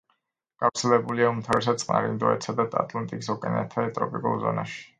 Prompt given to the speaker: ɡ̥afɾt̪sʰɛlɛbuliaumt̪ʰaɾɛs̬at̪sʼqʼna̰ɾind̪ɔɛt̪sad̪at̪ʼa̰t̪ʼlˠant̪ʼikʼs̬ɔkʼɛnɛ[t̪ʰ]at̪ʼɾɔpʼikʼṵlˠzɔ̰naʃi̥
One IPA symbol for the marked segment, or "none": t̪ʰ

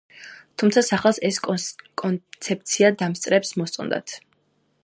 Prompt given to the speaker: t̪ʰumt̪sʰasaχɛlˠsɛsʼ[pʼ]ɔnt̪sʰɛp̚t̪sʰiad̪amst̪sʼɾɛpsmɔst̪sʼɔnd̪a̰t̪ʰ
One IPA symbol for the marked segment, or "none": kʼ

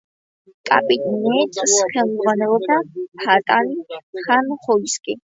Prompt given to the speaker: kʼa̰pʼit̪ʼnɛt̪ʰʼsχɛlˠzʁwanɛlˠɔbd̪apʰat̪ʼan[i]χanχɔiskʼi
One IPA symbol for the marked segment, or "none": i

